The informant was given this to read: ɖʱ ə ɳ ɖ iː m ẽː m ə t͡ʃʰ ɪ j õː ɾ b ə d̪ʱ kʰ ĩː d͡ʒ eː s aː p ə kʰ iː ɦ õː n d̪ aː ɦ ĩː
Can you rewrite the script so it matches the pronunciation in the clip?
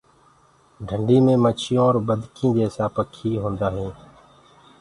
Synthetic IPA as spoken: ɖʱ ə ɳ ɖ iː m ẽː m ə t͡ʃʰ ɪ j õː ɾ b ə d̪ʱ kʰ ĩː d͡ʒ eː s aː p ə kʰ iː ɦ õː n d̪ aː ɦ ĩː